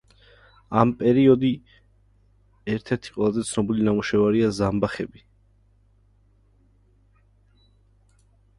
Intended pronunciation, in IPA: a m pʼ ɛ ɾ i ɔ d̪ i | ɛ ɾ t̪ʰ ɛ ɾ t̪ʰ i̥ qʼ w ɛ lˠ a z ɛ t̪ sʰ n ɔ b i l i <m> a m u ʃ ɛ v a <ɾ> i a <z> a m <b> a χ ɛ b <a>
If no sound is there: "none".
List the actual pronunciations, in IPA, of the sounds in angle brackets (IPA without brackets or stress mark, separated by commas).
n, ɾ, z, b, i